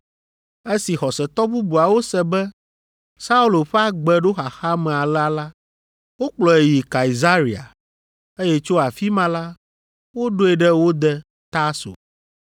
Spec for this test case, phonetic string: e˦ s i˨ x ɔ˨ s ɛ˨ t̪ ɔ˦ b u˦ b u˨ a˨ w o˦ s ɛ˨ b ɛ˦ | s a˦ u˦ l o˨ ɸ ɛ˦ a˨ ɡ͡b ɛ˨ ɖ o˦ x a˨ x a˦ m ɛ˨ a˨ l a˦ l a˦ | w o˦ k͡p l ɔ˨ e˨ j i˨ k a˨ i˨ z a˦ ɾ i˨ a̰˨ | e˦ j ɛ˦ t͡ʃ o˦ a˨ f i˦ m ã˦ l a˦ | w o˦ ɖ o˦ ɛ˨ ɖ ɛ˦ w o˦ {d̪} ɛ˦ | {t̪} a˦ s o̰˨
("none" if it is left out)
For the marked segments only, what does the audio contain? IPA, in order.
d̪, t̪

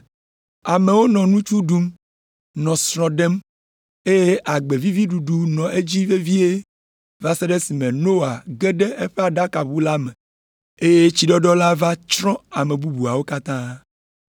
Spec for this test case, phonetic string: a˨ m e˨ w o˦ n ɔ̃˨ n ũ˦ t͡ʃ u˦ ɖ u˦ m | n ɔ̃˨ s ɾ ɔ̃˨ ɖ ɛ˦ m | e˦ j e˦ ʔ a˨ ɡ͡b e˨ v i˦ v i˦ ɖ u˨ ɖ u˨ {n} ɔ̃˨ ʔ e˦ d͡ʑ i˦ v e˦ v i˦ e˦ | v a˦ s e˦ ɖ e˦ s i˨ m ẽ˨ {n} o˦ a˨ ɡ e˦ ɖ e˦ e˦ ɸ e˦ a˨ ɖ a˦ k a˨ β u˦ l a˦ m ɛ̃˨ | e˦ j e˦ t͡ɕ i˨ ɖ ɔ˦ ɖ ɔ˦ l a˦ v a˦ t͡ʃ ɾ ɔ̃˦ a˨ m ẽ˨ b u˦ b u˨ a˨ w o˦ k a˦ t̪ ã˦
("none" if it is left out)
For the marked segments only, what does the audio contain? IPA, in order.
n, n

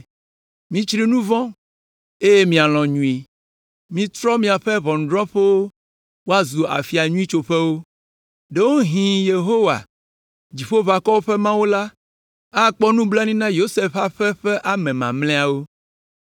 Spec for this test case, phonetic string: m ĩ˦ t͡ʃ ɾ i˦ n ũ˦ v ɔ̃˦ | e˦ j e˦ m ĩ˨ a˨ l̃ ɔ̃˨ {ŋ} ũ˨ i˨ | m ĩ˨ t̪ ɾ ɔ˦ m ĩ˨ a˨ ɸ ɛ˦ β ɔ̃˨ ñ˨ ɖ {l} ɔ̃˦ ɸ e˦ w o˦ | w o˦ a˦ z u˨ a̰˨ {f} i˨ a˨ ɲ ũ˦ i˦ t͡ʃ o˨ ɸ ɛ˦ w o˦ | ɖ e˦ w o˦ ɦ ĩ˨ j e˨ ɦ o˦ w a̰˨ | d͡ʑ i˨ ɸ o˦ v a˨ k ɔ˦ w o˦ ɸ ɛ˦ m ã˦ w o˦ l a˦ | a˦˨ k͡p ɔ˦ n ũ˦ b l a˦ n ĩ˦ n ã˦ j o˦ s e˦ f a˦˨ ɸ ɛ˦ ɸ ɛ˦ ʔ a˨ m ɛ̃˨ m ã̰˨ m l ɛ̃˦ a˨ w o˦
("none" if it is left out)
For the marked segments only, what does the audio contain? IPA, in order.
ɲ, ɾ, f

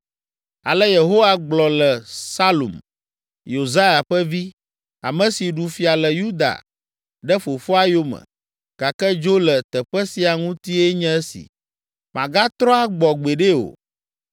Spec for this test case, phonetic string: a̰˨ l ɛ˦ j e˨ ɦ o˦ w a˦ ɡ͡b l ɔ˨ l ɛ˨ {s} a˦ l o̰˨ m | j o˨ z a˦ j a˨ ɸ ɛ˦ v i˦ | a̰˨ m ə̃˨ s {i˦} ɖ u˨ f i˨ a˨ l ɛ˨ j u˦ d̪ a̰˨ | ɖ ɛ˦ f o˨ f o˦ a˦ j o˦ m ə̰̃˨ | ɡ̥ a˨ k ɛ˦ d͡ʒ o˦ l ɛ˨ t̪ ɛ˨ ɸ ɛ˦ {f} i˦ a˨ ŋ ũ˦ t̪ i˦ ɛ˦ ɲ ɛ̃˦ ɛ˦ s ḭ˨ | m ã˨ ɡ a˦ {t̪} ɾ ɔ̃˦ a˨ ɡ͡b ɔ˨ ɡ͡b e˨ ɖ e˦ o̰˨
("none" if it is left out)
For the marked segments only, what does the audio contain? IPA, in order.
s, i˨, s, t̪

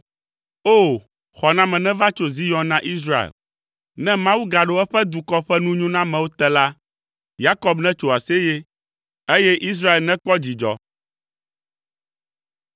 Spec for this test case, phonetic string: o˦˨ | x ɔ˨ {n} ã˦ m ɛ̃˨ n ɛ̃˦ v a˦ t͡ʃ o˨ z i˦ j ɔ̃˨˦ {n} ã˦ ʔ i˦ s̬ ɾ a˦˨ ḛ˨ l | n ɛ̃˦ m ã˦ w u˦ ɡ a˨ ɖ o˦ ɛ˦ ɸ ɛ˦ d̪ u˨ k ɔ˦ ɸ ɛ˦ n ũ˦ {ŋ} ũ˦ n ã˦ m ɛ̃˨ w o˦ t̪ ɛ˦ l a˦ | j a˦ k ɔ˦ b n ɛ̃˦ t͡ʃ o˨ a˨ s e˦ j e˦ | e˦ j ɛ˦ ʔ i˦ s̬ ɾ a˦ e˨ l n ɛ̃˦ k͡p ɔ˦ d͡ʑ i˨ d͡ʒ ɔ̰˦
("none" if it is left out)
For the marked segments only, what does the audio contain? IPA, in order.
n, n, ɲ

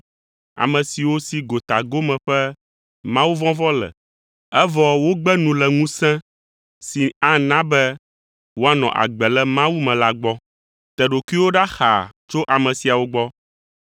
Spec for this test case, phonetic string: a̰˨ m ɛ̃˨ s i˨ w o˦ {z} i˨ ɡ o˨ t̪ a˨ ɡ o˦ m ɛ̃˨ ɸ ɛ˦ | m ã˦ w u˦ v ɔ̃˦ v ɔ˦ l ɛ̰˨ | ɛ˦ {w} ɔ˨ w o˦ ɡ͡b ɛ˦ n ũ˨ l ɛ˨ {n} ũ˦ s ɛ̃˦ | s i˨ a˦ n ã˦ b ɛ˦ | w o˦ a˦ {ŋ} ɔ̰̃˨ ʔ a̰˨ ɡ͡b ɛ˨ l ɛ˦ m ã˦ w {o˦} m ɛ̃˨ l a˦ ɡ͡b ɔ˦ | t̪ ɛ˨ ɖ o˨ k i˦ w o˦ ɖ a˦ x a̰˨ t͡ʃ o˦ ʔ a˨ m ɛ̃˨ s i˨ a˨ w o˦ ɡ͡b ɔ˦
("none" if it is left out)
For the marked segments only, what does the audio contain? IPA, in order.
s, v, ŋ, n, u˦

